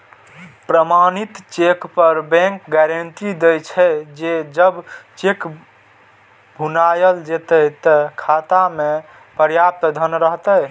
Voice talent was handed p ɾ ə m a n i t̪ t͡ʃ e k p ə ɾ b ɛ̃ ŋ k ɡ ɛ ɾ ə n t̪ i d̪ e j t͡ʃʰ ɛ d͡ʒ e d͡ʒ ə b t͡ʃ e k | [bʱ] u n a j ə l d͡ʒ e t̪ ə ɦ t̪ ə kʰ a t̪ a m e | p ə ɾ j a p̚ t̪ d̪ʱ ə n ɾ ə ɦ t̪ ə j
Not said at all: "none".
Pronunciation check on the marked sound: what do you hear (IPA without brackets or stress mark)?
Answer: bʱ